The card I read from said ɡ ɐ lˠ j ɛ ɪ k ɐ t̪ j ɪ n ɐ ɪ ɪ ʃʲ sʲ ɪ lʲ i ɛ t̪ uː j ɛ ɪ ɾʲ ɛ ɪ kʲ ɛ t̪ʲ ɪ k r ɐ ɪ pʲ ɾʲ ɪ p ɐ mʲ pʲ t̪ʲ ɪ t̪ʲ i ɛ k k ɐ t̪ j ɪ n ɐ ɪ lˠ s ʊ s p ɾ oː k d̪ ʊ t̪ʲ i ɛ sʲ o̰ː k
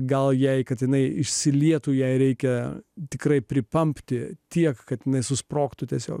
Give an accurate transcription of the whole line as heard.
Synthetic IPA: ɡ ɐ lˠ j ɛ ɪ k ɐ t̪ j ɪ n ɐ ɪ ɪ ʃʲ sʲ ɪ lʲ i ɛ t̪ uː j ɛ ɪ ɾʲ ɛ ɪ kʲ ɛ t̪ʲ ɪ k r ɐ ɪ pʲ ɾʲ ɪ p ɐ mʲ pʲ t̪ʲ ɪ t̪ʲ i ɛ k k ɐ t̪ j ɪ n ɐ ɪ s ʊ s p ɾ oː k t̪ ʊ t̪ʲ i ɛ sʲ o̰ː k